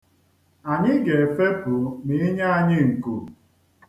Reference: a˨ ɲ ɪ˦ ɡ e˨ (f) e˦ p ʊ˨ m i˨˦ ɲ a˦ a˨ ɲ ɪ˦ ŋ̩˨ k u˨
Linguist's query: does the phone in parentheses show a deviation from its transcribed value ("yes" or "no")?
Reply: no